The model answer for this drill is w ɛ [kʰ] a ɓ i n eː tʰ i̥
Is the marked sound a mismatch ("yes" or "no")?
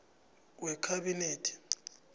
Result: no